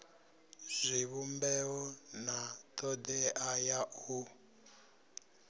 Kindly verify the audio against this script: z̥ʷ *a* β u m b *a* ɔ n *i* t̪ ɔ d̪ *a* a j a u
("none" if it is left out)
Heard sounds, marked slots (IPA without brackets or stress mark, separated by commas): i, ɛ, a, ɛ